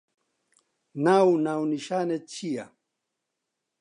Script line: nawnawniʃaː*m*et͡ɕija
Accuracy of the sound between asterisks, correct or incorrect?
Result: incorrect